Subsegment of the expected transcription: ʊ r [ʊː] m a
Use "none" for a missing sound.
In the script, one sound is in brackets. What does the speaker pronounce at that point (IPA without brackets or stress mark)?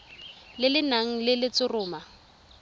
ʊː